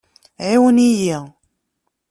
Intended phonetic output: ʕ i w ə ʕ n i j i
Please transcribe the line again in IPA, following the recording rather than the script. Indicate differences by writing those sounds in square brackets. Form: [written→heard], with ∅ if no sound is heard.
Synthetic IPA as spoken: ʕ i w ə [ʕ→∅] n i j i